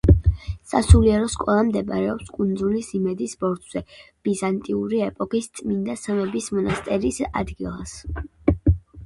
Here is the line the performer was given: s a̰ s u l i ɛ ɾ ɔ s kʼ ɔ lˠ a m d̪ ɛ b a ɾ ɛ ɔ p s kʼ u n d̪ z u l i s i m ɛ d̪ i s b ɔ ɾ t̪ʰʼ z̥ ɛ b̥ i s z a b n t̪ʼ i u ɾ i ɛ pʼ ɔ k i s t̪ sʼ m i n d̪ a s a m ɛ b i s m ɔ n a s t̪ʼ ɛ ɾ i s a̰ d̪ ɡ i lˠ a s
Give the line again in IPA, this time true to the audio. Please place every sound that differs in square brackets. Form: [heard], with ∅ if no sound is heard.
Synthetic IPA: s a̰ s u l i ɛ ɾ ɔ s kʼ ɔ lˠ a m d̪ ɛ b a ɾ ɛ ɔ p s kʼ u n d̪ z u l i s i m ɛ d̪ i s b ɔ ɾ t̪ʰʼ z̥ ɛ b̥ i [∅] z a [∅] n t̪ʼ i u ɾ i ɛ pʼ ɔ k i s t̪ sʼ m i n d̪ a s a m ɛ b i s m ɔ n a s t̪ʼ ɛ ɾ i s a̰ d̪ ɡ i lˠ a s

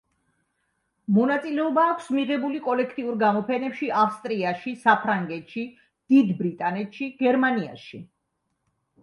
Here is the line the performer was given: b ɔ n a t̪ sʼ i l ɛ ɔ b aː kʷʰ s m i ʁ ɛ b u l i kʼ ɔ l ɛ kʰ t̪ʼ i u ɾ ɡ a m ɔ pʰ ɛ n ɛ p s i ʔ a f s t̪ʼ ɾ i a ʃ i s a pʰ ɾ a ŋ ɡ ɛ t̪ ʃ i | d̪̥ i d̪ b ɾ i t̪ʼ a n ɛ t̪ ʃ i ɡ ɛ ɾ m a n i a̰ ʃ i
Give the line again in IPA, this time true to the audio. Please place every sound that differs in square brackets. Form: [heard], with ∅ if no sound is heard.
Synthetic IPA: [m] ɔ n a t̪ sʼ i l ɛ ɔ b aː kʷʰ s m i ʁ ɛ b u l i kʼ ɔ l ɛ kʰ t̪ʼ i u ɾ ɡ a m ɔ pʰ ɛ n ɛ p [ʃ] i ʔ a f s t̪ʼ ɾ i a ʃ i s a pʰ ɾ a ŋ ɡ ɛ t̪ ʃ i | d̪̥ i d̪ b ɾ i t̪ʼ a n ɛ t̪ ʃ i ɡ ɛ ɾ m a n i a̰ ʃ i

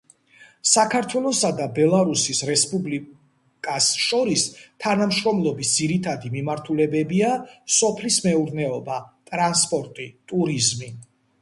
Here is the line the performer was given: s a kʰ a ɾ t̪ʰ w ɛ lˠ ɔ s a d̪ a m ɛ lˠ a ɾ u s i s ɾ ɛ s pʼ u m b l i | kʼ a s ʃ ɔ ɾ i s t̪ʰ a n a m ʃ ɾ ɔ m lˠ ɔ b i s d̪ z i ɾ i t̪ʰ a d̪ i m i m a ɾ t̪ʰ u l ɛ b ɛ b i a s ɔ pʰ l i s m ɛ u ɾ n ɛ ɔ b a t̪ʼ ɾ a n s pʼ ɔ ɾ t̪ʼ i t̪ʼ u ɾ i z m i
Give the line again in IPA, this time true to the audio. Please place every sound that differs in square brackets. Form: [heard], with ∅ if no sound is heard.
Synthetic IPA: s a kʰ a ɾ t̪ʰ w ɛ lˠ ɔ s a d̪ a [b] ɛ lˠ a ɾ u s i s ɾ ɛ s pʼ u [∅] b l i | kʼ a s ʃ ɔ ɾ i s t̪ʰ a n a m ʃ ɾ ɔ m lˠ ɔ b i s d̪ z i ɾ i t̪ʰ a d̪ i m i m a ɾ t̪ʰ u l ɛ b ɛ b i a s ɔ pʰ l i s m ɛ u ɾ n ɛ ɔ b a t̪ʼ ɾ a n s pʼ ɔ ɾ t̪ʼ i t̪ʼ u ɾ i z m i

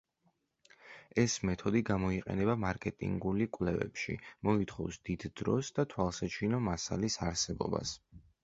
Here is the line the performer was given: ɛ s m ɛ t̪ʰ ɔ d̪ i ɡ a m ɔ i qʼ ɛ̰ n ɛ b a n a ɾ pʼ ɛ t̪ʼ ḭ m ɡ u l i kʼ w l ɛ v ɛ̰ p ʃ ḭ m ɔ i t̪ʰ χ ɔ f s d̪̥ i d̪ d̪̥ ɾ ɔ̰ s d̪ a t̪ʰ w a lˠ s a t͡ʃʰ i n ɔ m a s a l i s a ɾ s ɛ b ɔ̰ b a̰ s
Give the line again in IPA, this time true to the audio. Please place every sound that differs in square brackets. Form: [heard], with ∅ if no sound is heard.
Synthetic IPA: ɛ s m ɛ t̪ʰ ɔ d̪ i ɡ a m ɔ i qʼ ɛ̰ n ɛ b a [m] a ɾ [kʼ] ɛ t̪ʼ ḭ [ŋ] ɡ u l i kʼ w l ɛ v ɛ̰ p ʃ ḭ m ɔ i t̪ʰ χ ɔ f s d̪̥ i d̪ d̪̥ ɾ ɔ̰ s d̪ a t̪ʰ w a lˠ s a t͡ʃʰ i n ɔ m a s a l i s a ɾ s ɛ b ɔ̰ b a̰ s

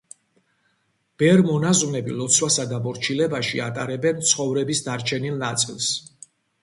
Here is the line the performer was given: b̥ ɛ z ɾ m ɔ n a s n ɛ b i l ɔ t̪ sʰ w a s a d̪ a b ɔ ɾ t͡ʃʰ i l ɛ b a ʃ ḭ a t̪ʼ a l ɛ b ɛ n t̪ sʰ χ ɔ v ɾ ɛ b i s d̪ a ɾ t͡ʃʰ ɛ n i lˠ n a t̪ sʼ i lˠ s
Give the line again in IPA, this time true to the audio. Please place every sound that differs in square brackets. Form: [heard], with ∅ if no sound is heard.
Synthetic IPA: b̥ ɛ [∅] ɾ m ɔ n a [z] n ɛ b i l ɔ t̪ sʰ w a s a d̪ a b ɔ ɾ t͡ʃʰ i l ɛ b a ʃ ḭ a t̪ʼ a [ɾ] ɛ b ɛ n t̪ sʰ χ ɔ v ɾ ɛ b i s d̪ a ɾ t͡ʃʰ ɛ n i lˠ n a t̪ sʼ i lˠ s

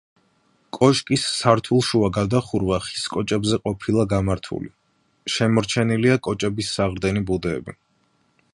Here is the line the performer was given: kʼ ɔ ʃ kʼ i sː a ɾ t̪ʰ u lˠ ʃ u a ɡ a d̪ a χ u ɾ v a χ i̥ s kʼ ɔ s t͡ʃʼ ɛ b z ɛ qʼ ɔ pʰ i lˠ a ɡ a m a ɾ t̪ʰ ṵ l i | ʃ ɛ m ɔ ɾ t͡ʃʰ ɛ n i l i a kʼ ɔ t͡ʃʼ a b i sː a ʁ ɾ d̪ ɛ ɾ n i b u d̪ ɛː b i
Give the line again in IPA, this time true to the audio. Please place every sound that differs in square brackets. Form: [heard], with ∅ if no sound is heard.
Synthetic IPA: kʼ ɔ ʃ kʼ i sː a ɾ t̪ʰ u lˠ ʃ u a ɡ a d̪ a χ u ɾ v a χ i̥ s kʼ ɔ [∅] t͡ʃʼ ɛ b z ɛ qʼ ɔ pʰ i lˠ a ɡ a m a ɾ t̪ʰ ṵ l i | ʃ ɛ m ɔ ɾ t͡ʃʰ ɛ n i l i a kʼ ɔ t͡ʃʼ [ɛ] b i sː a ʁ ɾ d̪ ɛ [∅] n i b u d̪ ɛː b i

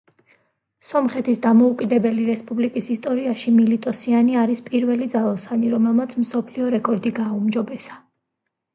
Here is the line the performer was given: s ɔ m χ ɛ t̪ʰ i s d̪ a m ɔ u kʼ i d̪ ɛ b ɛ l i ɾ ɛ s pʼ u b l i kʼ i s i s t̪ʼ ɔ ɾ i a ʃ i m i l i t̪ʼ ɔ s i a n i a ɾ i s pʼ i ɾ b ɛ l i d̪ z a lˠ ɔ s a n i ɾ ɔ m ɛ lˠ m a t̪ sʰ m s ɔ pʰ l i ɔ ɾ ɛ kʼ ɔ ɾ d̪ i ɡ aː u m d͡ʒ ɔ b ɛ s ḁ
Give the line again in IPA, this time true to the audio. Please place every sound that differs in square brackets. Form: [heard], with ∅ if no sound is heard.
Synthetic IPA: s ɔ m χ ɛ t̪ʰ i s d̪ a m ɔ u kʼ i d̪ ɛ b ɛ l i ɾ ɛ s pʼ u b l i kʼ i s i s t̪ʼ ɔ ɾ i a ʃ i m i l i t̪ʼ ɔ s i a n i a ɾ i s pʼ i ɾ [v] ɛ l i d̪ z a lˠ ɔ s a n i ɾ ɔ m ɛ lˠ m a t̪ sʰ m s ɔ pʰ l i ɔ ɾ ɛ kʼ ɔ ɾ d̪ i ɡ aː u m d͡ʒ ɔ b ɛ s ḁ

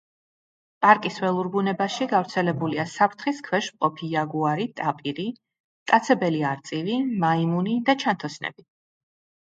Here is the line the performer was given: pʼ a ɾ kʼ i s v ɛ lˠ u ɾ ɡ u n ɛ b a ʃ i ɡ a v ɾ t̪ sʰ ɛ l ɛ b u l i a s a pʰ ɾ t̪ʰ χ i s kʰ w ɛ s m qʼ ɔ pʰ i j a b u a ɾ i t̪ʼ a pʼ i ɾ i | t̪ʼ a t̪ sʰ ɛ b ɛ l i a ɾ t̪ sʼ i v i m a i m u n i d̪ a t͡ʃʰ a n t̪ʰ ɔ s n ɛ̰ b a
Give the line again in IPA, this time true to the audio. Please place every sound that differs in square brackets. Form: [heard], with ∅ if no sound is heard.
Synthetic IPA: pʼ a ɾ kʼ i s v ɛ lˠ u ɾ [b] u n ɛ b a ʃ i ɡ a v ɾ t̪ sʰ ɛ l ɛ b u l i a s a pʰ ɾ t̪ʰ χ i s kʰ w ɛ [ʃ] m qʼ ɔ pʰ i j a [ɡ] u a ɾ i t̪ʼ a pʼ i ɾ i | t̪ʼ a t̪ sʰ ɛ b ɛ l i a ɾ t̪ sʼ i v i m a i m u n i d̪ a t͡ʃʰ a n t̪ʰ ɔ s n ɛ̰ b [i]

